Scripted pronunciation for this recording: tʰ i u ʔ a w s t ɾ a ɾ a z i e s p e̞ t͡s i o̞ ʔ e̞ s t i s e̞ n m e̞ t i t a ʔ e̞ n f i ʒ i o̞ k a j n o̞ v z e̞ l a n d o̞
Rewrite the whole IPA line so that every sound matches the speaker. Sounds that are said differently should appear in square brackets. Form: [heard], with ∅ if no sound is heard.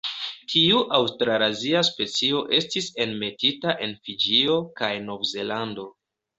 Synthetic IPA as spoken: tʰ i u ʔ a w s t ɾ a ɾ a z i [a] s p e̞ t͡s i o̞ ʔ e̞ s t i s e̞ n m e̞ t i t a ʔ e̞ n f i [d͡ʒ] i o̞ k a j n o̞ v z e̞ l a n d o̞